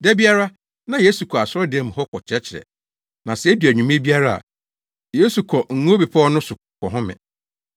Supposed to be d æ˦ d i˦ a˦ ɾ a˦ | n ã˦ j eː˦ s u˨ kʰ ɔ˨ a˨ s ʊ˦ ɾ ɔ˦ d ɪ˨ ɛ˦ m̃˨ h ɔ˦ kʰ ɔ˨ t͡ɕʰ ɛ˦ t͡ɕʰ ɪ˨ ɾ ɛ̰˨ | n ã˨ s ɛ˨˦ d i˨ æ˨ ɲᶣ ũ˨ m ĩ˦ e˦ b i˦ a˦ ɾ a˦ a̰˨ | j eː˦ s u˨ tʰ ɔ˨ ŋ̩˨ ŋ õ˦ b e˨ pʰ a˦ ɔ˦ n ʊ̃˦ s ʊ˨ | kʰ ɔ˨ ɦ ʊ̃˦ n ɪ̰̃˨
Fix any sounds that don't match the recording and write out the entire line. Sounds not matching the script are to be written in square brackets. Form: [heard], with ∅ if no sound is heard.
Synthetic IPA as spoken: d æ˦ [b] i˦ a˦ ɾ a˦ | n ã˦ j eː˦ s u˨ kʰ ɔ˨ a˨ s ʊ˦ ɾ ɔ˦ d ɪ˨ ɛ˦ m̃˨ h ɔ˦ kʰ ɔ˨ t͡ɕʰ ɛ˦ t͡ɕʰ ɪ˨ ɾ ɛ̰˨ | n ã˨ s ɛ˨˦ d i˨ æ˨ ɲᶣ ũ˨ m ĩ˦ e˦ b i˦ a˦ ɾ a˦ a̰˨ | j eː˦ s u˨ [kʰ] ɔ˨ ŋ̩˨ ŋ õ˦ b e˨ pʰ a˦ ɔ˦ n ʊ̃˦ s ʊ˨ | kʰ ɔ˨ ɦ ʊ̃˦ [m] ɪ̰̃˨